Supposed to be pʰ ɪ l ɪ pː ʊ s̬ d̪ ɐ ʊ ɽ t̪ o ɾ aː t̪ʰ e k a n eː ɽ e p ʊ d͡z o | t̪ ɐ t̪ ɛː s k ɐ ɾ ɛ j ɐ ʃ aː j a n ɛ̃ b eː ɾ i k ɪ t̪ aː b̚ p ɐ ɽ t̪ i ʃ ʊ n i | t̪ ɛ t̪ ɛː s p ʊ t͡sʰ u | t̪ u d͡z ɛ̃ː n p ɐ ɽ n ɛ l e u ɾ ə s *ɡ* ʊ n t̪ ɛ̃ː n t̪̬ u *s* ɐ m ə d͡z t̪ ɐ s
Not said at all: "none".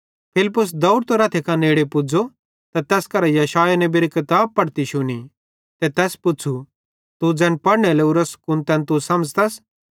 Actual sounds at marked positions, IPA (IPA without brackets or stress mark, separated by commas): k, s